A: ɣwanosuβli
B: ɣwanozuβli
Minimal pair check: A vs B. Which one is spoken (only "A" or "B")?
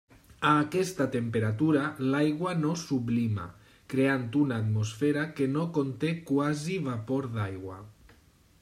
A